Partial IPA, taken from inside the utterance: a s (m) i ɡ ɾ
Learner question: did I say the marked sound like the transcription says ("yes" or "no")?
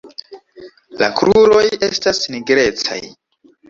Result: no